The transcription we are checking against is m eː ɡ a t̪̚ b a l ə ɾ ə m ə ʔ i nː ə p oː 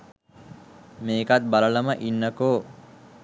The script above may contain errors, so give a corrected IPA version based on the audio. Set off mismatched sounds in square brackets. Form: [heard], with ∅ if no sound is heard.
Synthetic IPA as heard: m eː [k] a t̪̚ b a l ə [l] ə m ə ʔ i nː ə [k] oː